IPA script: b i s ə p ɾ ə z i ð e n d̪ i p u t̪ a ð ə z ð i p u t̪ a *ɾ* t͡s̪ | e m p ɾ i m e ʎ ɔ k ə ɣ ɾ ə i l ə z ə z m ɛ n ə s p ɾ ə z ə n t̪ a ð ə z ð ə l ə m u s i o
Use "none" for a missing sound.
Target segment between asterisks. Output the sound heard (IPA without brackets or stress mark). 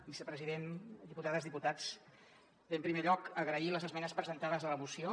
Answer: none